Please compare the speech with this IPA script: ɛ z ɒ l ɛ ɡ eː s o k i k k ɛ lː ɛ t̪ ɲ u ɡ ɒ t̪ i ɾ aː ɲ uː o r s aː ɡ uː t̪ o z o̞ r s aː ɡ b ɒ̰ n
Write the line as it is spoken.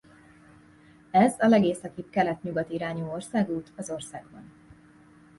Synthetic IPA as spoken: ɛ z ɒ l ɛ ɡ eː s ɒ k i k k ɛ l ɛ t̪ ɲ u ɡ ɒ t̪ i ɾ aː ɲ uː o r s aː ɡ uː t̪ ɒ z o̞ r s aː ɡ b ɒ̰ n

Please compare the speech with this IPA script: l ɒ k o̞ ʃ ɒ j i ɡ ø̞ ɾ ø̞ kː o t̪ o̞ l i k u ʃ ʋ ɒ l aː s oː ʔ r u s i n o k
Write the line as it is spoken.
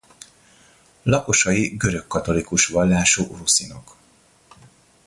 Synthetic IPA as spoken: l ɒ k o̞ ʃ ɒ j i ɡ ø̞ ɾ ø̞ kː ɒ t̪ o̞ l i k u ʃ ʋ ɒ lː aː ʃ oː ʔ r u s i n o k

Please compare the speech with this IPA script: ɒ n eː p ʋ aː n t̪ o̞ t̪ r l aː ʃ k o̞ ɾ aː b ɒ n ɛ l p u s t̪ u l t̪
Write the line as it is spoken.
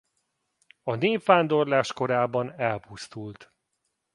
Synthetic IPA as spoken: ɒ n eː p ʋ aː n d̪ o̞ r l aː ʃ k o̞ ɾ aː b ɒ n ɛ l p u s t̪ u l t̪

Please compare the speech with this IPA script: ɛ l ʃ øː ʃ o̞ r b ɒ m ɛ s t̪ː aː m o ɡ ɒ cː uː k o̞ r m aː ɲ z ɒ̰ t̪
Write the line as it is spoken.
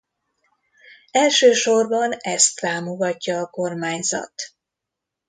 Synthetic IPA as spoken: ɛ l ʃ øː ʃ o̞ r b ɒ n ɛ s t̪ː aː m o ɡ ɒ cː ɒː k o̞ r m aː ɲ z ɒ̰ t̪

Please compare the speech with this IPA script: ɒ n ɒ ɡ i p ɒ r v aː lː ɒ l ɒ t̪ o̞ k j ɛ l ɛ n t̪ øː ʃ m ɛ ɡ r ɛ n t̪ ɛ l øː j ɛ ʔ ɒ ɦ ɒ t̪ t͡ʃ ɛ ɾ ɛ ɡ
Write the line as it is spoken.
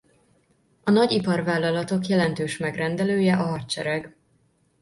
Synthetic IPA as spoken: ɒ n ɒ ɟ i p ɒ r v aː lː ɒ l ɒ t̪ o̞ k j ɛ l ɛ n t̪ øː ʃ m ɛ ɡ r ɛ n d̪ ɛ l øː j ɛ ʔ ɒ ɦ ɒ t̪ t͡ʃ ɛ ɾ ɛ ɡ

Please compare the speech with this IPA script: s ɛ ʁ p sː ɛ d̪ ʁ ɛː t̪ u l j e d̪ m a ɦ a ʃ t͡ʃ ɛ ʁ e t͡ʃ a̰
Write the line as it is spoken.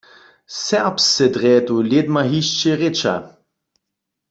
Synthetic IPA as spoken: s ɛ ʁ p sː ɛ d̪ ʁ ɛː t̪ u l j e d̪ m a ɦ i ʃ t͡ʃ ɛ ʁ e t͡ʃ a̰

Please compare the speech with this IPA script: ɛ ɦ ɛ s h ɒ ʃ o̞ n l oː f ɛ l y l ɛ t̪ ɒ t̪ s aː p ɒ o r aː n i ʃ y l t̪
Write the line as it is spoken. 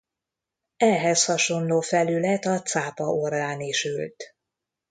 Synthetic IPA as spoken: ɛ ɦ ɛ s h ɒ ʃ o̞ n l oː f ɛ l y l ɛ t̪ ɒ t̪ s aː p ɒ o r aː n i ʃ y l t̪

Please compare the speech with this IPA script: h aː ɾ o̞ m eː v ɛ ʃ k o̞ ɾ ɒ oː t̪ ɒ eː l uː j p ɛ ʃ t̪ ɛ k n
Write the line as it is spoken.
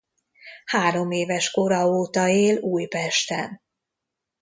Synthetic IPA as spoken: h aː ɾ o̞ m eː v ɛ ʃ k o̞ ɾ ɒ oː t̪ ɒ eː l uː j p ɛ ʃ t̪ ɛ n

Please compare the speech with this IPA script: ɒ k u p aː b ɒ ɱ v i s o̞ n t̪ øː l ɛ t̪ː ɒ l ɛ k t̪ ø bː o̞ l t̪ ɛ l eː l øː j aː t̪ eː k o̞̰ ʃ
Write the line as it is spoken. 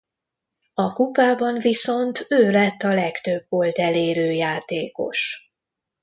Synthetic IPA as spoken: ɒ k u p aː b ɒ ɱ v i s o̞ n t̪ øː l ɛ t̪ː ɒ l ɛ k t̪ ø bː o̞ l t̪ ɛ l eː ɾ øː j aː t̪ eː k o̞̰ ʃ

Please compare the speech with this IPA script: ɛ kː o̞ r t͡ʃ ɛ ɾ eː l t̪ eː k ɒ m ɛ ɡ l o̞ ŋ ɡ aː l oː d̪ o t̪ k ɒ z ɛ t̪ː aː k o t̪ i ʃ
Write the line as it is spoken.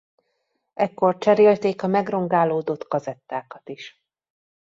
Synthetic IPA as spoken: ɛ kː o̞ r t͡ʃ ɛ ɾ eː l t̪ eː k ɒ m ɛ ɡ r o̞ ŋ ɡ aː l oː d̪ o t̪ k ɒ z ɛ t̪ː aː k ɒ t̪ i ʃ

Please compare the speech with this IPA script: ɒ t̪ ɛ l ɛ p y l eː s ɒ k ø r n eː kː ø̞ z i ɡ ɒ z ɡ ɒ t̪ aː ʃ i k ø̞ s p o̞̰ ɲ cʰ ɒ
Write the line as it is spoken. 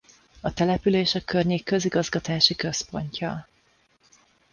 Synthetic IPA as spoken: ɒ t̪ ɛ l ɛ p y l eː ʃ ɒ k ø r ɲ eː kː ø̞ z i ɡ ɒ z ɡ ɒ t̪ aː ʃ i k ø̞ s p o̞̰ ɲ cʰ ɒ

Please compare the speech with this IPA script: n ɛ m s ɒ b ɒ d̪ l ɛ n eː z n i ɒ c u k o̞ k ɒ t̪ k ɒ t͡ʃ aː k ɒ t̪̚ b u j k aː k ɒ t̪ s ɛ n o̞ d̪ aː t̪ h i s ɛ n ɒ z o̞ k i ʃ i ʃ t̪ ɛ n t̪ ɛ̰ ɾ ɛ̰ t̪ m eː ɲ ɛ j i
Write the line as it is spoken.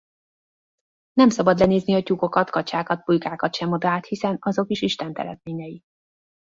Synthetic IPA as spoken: n ɛ m s ɒ b ɒ d̪ l ɛ n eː z n i ɒ c u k o̞ k ɒ t̪ k ɒ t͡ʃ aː k ɒ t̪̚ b u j k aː k ɒ t̪ ʃ ɛ m o̞ d̪ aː t̪ h i s ɛ n ɒ z o̞ k i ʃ i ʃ t̪ ɛ n t̪ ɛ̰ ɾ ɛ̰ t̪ m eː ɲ ɛ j i

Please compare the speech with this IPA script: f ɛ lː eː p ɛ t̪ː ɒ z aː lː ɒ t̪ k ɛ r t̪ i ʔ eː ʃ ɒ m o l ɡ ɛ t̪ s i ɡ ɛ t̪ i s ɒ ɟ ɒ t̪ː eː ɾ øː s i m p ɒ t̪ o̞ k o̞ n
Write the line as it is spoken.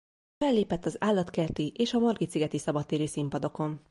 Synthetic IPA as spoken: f ɛ lː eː p ɛ t̪ː ɒ z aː lː ɒ t̪ k ɛ r t̪ i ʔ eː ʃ ɒ m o r ɡ i t̪ s i ɡ ɛ t̪ i s ɒ b ɒ t̪ː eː ɾ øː s i m p ɒ d̪ o̞ k o̞ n

